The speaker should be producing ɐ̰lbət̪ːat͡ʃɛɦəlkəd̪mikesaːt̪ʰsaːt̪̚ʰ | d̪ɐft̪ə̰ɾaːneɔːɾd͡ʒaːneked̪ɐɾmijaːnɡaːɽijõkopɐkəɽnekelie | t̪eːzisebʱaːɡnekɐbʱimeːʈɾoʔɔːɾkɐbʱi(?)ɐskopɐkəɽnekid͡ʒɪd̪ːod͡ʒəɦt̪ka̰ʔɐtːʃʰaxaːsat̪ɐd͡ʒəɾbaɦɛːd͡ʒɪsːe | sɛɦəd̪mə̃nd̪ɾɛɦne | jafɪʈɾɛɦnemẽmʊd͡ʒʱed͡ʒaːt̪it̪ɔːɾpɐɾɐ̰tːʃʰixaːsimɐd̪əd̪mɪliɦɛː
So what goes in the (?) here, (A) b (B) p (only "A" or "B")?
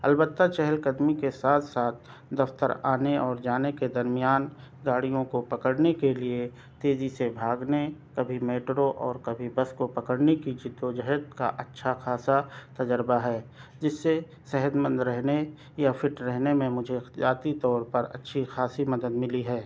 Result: A